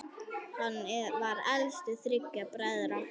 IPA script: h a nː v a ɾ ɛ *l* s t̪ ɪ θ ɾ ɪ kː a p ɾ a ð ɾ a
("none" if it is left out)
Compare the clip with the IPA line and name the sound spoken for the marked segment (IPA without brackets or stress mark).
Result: l